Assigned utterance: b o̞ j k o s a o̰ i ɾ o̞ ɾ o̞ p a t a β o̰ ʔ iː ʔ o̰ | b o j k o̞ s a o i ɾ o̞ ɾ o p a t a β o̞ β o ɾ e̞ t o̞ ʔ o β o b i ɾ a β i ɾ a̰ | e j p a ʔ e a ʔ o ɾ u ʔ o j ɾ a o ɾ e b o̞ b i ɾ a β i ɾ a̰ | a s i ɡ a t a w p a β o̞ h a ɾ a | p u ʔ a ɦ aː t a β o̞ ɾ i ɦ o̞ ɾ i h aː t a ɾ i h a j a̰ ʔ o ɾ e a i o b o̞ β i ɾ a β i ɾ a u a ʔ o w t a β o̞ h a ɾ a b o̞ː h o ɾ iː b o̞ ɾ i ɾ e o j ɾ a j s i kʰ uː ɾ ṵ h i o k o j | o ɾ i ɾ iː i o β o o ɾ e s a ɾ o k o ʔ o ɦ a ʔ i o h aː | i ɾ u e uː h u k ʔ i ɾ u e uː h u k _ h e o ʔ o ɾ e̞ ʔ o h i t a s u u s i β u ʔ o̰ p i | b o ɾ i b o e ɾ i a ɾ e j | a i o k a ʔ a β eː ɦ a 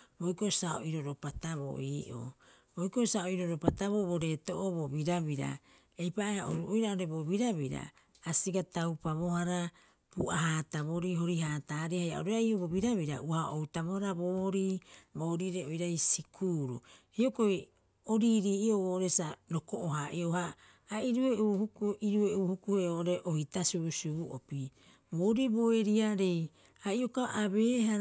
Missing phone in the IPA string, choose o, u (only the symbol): u